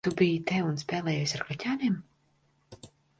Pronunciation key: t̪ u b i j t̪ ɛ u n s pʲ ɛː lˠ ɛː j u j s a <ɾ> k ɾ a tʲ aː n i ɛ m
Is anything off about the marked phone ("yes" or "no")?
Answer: no